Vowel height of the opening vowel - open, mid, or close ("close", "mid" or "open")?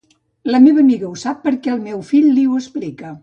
mid